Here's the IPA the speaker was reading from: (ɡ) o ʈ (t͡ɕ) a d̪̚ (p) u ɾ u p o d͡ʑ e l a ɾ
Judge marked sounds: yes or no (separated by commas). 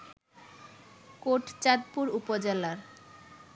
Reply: no, yes, yes